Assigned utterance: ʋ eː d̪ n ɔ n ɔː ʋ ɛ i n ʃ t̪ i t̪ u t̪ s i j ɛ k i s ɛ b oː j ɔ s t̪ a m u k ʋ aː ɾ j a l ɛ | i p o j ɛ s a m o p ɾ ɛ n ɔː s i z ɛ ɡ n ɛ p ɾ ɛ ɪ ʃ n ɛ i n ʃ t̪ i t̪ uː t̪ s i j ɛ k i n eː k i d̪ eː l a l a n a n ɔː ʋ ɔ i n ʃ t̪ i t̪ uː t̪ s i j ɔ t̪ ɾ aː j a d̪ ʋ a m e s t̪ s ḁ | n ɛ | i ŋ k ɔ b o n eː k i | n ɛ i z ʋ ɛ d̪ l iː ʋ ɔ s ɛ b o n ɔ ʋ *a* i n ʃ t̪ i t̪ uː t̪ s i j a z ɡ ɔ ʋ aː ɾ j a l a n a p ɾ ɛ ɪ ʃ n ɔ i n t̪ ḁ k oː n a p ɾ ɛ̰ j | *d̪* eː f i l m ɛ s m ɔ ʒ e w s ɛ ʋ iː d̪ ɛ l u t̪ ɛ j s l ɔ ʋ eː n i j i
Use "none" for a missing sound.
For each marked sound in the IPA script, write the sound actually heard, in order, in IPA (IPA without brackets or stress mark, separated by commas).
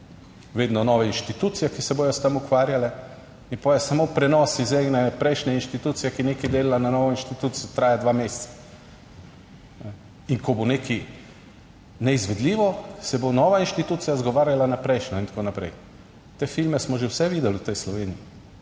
a, t̪